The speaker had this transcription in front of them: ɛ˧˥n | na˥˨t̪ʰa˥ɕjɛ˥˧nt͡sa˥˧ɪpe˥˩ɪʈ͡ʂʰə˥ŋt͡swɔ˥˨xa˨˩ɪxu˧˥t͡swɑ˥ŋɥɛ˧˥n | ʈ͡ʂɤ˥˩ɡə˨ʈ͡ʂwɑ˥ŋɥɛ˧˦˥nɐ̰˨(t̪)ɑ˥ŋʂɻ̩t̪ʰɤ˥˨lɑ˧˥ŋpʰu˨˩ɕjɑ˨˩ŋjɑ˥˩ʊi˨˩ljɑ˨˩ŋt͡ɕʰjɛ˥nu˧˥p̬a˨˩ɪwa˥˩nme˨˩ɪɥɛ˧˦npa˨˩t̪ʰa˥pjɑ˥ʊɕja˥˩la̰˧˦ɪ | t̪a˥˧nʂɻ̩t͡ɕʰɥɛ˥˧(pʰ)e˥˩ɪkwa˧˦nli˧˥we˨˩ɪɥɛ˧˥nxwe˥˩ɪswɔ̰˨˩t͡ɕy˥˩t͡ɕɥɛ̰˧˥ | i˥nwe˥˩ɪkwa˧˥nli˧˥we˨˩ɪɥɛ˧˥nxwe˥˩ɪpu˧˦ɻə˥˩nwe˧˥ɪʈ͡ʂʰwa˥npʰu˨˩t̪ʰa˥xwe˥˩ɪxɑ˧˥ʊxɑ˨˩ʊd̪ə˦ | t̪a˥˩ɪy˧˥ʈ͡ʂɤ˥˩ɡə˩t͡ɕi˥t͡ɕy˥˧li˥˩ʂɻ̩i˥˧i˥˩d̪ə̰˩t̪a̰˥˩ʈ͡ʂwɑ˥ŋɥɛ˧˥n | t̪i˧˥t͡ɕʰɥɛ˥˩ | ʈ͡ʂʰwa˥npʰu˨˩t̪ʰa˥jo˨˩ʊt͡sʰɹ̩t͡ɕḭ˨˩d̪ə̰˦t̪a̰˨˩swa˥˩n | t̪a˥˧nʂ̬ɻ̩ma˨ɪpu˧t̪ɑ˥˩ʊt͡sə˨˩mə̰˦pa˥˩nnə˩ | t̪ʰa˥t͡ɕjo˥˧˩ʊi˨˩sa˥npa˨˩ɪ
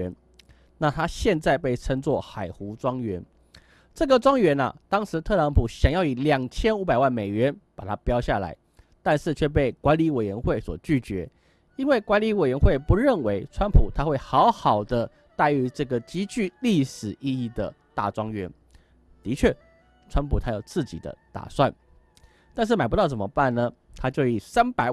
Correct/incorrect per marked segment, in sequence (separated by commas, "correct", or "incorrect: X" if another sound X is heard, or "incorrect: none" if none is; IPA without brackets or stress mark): correct, incorrect: p